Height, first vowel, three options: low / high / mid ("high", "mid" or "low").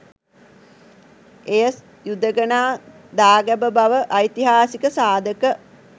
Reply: mid